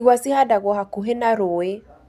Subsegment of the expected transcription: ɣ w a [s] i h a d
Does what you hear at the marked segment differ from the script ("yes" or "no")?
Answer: no